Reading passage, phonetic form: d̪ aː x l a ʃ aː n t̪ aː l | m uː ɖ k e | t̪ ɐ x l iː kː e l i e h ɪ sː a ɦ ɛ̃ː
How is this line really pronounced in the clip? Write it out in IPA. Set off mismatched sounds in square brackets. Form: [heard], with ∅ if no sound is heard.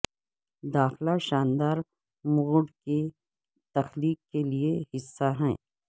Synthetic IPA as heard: d̪ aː x l a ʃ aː n [d̪] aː [ɾ] | m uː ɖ k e | t̪ ɐ x l iː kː e l i e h ɪ sː a ɦ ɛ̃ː